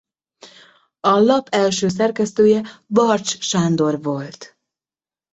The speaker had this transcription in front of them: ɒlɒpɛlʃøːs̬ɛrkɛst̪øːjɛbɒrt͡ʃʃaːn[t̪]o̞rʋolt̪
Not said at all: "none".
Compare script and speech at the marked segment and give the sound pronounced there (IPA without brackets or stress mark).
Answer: d̪